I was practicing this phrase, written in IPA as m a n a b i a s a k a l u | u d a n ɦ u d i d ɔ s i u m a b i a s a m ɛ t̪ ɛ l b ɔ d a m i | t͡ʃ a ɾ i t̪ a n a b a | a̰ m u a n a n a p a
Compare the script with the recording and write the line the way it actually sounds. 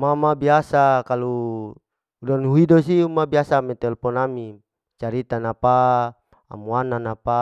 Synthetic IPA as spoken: m a m a b i a s a k a l u | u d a n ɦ u i d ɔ s i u m a b i a s a m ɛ t̪ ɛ l p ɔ n a m i | t͡ʃ a ɾ i t̪ a n a p a | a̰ m u a n a n a p a